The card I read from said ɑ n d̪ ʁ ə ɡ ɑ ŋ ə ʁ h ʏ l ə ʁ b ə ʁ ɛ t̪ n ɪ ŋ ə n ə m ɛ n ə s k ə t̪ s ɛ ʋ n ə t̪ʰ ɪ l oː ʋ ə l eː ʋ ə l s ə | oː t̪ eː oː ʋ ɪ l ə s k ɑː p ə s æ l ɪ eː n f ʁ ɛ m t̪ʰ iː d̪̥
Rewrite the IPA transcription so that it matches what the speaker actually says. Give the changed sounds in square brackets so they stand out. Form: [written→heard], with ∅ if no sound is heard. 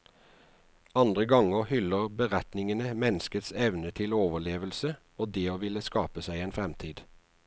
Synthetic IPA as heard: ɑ n d̪ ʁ ə ɡ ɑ ŋ ə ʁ h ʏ l ə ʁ b ə ʁ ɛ t̪ n ɪ ŋ ə n ə m ɛ n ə s k ə t̪ s ɛ ʋ n ə t̪ʰ ɪ l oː ʋ ə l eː ʋ ə l s ə | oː [t̪→d̪] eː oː ʋ ɪ l ə s k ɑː p ə s æ [l→∅] ɪ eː n f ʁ ɛ m t̪ʰ iː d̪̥